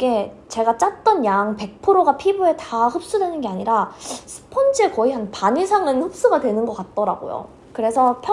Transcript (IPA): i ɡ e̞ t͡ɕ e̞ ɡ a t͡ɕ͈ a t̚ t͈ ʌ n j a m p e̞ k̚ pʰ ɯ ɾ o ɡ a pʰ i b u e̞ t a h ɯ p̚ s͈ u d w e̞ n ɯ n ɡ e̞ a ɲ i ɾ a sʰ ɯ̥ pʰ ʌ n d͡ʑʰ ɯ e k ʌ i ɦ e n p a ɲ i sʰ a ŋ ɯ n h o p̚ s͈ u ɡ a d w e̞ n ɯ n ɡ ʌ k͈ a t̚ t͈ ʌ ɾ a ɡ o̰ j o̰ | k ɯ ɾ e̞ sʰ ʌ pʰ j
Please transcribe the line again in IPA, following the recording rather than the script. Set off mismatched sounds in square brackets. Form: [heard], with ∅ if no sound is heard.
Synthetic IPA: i ɡ e̞ t͡ɕ e̞ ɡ a t͡ɕ͈ a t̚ t͈ ʌ n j a [ŋ] p e̞ k̚ pʰ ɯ ɾ o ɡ a pʰ i b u e̞ t a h ɯ p̚ s͈ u d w e̞ n ɯ n ɡ e̞ a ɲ i ɾ a sʰ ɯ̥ pʰ ʌ n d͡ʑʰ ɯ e k ʌ i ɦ [a] n p a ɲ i sʰ a ŋ ɯ n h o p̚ s͈ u ɡ a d w e̞ n ɯ n ɡ ʌ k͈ a t̚ t͈ ʌ ɾ a ɡ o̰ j o̰ | k ɯ ɾ e̞ sʰ ʌ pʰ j

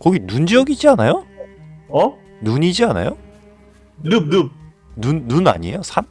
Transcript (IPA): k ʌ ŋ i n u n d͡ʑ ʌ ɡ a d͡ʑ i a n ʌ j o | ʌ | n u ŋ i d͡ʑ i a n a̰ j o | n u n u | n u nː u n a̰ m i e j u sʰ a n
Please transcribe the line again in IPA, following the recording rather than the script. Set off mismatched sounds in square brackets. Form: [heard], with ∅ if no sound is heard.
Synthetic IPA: k ʌ [ɡ] i n u n d͡ʑ ʌ ɡ [i] d͡ʑ i a n [a] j o | ʌ | n u [ɲ] i d͡ʑ i a n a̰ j o | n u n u | n u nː u n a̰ [ɲ] i e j [o] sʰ a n

